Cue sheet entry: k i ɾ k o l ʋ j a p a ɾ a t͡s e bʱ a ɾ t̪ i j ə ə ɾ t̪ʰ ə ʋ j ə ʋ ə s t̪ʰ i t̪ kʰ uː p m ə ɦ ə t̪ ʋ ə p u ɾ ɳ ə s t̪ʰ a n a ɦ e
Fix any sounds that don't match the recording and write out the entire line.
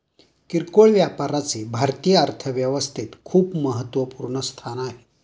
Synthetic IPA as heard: k i ɾ k o ɭ ʋ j a p a ɾ a t͡s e bʱ a ɾ t̪ i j ə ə ɾ t̪ʰ ə ʋ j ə ʋ ə s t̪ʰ i t̪ kʰ uː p m ə ɦ ə t̪ ʋ ə p u ɾ ɳ ə s t̪ʰ a n a ɦ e